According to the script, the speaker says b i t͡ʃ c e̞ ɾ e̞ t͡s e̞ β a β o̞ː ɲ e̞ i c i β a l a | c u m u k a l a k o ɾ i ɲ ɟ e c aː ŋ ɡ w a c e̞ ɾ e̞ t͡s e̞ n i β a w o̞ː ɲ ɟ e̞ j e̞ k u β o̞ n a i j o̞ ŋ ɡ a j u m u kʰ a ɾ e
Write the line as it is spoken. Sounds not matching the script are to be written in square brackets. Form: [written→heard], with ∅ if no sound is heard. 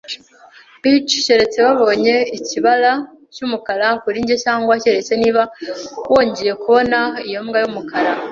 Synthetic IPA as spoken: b i t͡ʃ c e̞ ɾ e̞ t͡s e̞ β a β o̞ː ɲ e̞ i c i β a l a | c u m u k a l a k [o→u] ɾ i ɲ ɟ e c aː ŋ ɡ w a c e̞ ɾ e̞ t͡s e̞ n i β a w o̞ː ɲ ɟ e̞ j e̞ k u β o̞ n a i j o̞ [ŋ→m] ɡ a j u m u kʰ a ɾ [e→a]